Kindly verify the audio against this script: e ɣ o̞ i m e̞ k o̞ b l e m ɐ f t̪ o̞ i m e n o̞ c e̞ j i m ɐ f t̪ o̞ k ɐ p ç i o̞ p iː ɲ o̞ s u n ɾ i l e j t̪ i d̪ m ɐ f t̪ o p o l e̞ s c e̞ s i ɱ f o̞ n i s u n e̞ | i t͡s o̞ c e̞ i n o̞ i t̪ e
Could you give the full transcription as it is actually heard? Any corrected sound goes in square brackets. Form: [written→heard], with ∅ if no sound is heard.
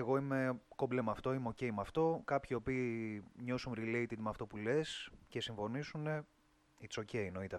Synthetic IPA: e ɣ o̞ i m e̞ k o̞ b l e m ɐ f t̪ o̞ i m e [n→∅] o̞ c e̞ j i m ɐ f t̪ o̞ k ɐ p ç i o̞ p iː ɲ o̞ s u n ɾ i l e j t̪ i d̪ m ɐ f t̪ o p [o→u] l e̞ s c e̞ s i ɱ f o̞ n i s u n e̞ | i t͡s o̞ c e̞ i n o̞ i t̪ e